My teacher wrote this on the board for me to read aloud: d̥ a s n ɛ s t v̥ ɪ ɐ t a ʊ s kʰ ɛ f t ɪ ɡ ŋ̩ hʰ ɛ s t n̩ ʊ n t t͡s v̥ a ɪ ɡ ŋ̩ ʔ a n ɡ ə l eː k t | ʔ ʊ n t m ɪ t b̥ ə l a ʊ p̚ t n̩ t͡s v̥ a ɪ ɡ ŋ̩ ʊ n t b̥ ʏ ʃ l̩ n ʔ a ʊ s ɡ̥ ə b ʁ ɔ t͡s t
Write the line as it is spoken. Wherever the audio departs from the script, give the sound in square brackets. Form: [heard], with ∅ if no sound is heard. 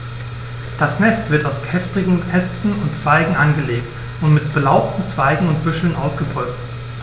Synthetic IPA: d̥ a s n ɛ s t v̥ ɪ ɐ t a ʊ s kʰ ɛ f t ɪ ɡ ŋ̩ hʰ ɛ s t n̩ ʊ n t t͡s v̥ a ɪ ɡ ŋ̩ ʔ a n ɡ ə l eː k t | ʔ ʊ n t m ɪ t b̥ ə l a ʊ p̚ t n̩ t͡s v̥ a ɪ ɡ ŋ̩ ʊ n t b̥ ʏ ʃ l̩ n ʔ a ʊ s ɡ̥ ə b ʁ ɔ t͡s t